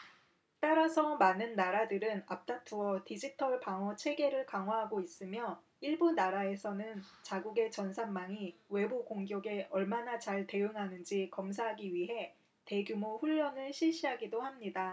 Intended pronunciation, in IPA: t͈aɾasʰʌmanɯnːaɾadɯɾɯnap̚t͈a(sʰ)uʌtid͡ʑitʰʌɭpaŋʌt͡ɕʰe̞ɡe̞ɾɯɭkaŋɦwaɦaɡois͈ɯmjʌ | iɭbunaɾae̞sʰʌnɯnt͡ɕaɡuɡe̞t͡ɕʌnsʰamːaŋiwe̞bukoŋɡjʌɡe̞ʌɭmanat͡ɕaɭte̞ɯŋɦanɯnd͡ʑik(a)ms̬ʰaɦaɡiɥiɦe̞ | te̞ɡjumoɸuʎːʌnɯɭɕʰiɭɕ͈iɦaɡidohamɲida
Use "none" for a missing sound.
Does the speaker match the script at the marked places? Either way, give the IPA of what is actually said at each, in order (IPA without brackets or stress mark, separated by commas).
tʰ, ʌ